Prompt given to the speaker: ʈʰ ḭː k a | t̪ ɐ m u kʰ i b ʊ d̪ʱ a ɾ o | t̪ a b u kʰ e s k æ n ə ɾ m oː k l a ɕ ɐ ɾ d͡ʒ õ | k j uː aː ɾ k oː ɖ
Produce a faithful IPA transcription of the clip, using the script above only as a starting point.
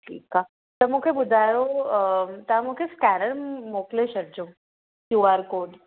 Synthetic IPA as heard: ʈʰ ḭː k a | t̪ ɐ m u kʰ e b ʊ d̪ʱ a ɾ o | t̪ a m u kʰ e s k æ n ə ɾ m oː k l e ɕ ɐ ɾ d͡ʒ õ | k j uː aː ɾ k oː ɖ